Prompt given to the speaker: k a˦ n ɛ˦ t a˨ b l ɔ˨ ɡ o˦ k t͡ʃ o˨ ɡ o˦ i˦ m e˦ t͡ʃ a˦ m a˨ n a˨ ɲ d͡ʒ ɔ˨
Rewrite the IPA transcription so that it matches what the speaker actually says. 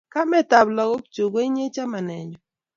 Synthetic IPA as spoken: k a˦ m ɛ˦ t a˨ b l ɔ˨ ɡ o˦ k t͡ʃ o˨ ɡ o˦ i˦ ɲ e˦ t͡ʃ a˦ m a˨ n ɛ˨ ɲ d͡ʒ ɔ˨

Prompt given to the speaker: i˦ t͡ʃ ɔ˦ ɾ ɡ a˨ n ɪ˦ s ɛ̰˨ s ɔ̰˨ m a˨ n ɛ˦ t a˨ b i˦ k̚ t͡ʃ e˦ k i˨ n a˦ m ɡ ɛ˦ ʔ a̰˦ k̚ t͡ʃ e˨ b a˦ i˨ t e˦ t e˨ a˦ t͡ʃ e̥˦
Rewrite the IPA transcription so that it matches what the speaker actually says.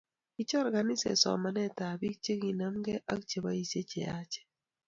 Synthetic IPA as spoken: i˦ t͡ʃ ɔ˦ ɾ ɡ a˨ n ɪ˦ s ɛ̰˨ s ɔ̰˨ m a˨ n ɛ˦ t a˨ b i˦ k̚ t͡ʃ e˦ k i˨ n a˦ m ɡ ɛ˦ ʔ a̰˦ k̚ t͡ʃ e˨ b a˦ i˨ s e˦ t͡ʃ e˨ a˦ t͡ʃ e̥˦

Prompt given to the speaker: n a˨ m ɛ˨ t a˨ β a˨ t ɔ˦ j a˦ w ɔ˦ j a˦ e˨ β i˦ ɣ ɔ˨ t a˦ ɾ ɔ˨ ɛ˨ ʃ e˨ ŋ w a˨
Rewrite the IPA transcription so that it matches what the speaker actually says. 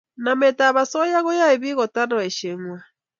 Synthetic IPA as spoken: n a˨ m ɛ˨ t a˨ β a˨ s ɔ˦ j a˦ ɣ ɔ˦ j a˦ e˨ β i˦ ɣ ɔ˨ t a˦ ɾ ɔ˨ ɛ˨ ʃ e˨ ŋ w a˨

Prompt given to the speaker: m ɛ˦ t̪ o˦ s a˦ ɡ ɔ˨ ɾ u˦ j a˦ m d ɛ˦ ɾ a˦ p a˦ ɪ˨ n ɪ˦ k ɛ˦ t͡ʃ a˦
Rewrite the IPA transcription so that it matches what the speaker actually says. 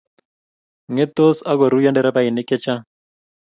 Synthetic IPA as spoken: ŋ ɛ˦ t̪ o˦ s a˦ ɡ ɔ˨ ɾ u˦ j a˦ n d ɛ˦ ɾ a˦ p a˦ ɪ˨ n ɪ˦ k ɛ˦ t͡ʃ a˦

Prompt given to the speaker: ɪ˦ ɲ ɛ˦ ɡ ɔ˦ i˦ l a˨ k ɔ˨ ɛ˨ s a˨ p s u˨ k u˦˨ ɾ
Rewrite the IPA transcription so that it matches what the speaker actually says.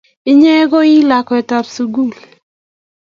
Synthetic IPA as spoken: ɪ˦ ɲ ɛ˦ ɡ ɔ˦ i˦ l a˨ k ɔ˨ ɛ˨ t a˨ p s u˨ ɡ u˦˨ l

